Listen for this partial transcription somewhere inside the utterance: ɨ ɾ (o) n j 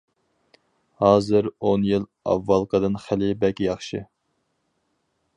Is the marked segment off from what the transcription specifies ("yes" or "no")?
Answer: no